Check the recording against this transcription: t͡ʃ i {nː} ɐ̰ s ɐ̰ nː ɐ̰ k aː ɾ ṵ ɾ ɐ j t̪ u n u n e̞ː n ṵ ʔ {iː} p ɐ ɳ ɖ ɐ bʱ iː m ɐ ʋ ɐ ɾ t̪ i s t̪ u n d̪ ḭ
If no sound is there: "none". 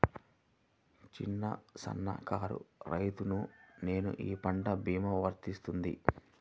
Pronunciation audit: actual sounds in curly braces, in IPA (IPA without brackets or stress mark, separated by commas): nː, iː